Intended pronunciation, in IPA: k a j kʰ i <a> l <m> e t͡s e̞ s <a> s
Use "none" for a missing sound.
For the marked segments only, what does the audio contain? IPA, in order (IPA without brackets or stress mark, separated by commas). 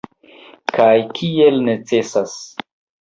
e, n, a